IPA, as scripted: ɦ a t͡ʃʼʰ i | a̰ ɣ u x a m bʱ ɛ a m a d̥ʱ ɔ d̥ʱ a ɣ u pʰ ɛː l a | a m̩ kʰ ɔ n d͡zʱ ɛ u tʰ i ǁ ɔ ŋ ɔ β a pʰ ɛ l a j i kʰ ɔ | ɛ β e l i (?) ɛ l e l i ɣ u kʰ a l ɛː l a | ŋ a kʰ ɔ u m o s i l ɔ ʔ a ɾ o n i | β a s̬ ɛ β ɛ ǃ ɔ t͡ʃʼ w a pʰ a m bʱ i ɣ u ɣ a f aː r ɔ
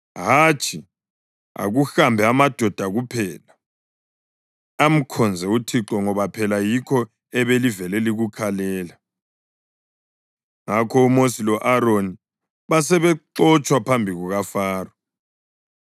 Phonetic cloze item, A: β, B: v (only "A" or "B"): B